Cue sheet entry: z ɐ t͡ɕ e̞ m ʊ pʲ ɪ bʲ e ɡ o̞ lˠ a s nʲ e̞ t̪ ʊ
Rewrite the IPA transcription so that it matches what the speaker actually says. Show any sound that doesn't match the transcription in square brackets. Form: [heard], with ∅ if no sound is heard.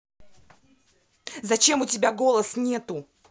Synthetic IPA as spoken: z ɐ t͡ɕ e̞ m ʊ [tʲ] ɪ bʲ [a] ɡ o̞ lˠ [ə] s nʲ e̞ t̪ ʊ